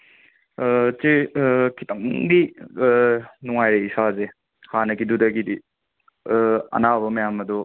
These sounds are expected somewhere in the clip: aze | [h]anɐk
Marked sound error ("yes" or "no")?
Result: no